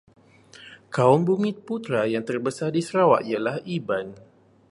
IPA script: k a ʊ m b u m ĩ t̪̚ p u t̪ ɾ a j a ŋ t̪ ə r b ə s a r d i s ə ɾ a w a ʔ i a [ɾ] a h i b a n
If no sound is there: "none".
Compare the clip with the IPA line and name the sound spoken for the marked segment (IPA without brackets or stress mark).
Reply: l